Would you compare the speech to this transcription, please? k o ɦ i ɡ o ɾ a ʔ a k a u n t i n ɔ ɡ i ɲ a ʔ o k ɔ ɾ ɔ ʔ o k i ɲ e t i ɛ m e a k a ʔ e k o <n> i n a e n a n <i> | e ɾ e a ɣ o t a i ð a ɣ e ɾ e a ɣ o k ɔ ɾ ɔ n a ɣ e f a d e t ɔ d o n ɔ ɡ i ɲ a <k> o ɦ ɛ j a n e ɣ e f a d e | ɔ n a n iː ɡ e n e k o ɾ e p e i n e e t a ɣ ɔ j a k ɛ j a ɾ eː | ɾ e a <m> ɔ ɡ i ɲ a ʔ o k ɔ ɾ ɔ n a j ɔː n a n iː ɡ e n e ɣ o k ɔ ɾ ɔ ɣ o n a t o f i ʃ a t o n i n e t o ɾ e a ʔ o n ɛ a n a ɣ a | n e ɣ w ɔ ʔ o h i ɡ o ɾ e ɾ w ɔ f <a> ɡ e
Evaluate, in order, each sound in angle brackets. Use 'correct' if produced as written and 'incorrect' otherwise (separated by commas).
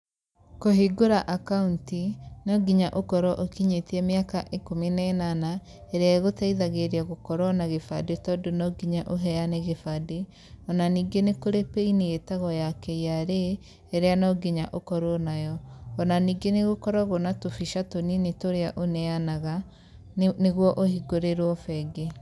incorrect, incorrect, incorrect, incorrect, incorrect